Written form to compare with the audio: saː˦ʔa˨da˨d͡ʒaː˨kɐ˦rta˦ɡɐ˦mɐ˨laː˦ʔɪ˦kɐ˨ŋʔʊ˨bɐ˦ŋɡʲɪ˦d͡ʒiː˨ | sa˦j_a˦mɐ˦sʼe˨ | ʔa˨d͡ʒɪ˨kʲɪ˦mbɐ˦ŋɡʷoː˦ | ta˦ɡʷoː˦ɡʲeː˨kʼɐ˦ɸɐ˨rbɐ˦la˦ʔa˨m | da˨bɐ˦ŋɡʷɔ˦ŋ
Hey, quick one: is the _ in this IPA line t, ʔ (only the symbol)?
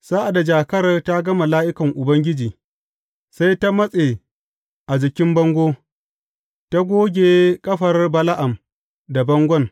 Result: t